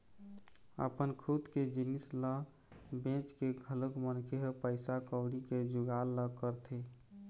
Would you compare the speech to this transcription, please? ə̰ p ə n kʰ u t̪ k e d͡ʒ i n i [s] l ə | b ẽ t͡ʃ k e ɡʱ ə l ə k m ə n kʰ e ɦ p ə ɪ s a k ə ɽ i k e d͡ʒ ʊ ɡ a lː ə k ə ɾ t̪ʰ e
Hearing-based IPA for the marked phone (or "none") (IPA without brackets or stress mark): s